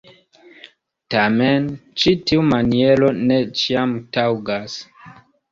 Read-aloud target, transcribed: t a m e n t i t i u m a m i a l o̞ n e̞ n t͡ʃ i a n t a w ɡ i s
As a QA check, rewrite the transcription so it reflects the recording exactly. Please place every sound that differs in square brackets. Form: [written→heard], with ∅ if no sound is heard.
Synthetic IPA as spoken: t a m e n [t→t͡ʃ] i t i u m a [m→n] i [a→e] l o̞ n e̞ [n→∅] t͡ʃ i a [n→m] t a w ɡ [i→a] s